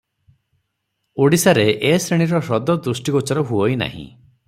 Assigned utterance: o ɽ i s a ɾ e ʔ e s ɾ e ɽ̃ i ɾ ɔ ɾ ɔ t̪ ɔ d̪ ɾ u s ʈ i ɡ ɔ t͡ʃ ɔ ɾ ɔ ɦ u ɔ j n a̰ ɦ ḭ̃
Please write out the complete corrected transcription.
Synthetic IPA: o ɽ i s a ɾ e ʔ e s ɾ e ɽ̃ i ɾ ɔ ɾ ɔ d̪ ɔ d̪ ɾ u s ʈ i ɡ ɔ t͡ʃ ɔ ɾ ɔ ɦ u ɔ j n a̰ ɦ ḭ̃